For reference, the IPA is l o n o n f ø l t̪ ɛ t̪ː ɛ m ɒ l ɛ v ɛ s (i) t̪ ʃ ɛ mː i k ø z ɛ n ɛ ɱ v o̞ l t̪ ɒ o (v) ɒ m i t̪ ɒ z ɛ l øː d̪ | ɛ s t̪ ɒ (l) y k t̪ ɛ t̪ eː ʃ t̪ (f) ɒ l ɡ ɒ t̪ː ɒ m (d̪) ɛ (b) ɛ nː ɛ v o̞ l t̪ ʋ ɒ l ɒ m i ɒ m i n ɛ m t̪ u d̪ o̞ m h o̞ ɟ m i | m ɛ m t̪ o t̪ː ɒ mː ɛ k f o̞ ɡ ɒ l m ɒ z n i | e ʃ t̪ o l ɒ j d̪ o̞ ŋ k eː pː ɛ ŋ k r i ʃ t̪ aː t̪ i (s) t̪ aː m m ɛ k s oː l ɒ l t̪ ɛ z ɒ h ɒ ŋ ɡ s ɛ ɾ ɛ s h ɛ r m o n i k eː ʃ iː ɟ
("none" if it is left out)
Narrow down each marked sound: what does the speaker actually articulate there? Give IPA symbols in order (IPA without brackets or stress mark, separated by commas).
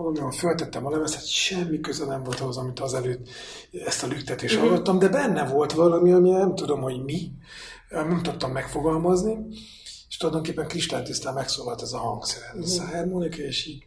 ɛ, z, l, h, d̪, b, s